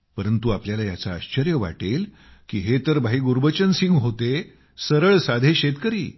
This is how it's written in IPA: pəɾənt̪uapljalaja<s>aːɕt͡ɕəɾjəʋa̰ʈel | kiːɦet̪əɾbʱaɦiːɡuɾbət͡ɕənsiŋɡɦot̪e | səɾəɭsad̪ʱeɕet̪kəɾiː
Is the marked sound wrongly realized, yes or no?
yes